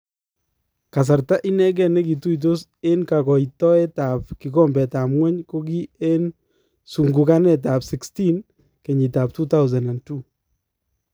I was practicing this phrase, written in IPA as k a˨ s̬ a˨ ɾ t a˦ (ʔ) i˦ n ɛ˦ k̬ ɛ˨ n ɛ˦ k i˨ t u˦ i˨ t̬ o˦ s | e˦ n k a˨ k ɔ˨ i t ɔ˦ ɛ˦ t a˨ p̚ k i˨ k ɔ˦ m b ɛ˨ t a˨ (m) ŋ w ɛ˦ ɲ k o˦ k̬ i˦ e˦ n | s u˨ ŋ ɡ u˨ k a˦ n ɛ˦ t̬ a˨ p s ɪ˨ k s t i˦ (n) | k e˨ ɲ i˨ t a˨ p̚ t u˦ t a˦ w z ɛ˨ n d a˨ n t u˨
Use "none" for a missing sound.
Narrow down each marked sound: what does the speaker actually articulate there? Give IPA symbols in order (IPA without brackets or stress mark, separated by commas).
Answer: ʔ, m, n